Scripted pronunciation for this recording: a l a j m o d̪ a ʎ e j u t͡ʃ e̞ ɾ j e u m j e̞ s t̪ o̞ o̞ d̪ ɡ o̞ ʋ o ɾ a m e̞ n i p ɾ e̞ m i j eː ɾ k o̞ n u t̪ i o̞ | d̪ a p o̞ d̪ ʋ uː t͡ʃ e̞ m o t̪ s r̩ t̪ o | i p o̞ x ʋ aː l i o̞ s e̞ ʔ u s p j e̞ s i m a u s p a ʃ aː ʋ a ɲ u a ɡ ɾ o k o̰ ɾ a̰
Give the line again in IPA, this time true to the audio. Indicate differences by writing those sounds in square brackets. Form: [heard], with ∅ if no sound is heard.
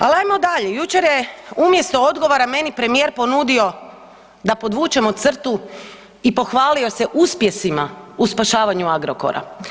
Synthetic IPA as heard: a l a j m o d̪ a ʎ e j u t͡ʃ e̞ ɾ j e u m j e̞ s t̪ o̞ o̞ d̪ ɡ o̞ ʋ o ɾ a m e̞ n i p ɾ e̞ m i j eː ɾ [p] o̞ n u [d̪] i o̞ | d̪ a p o̞ d̪ ʋ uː t͡ʃ e̞ m o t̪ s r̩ t̪ [u] | i p o̞ x ʋ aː l i o̞ s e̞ ʔ u s p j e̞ s i m a u s p a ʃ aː ʋ a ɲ u a ɡ ɾ o k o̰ ɾ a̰